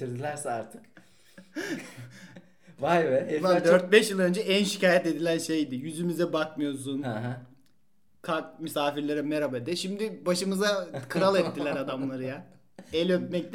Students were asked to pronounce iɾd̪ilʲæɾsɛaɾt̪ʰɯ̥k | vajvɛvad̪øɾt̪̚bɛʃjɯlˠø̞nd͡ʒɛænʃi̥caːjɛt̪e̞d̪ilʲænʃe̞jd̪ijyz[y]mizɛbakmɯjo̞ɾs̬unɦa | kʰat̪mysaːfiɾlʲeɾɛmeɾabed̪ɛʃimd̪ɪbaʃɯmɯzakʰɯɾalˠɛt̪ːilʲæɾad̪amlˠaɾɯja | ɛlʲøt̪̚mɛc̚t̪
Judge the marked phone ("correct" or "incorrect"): correct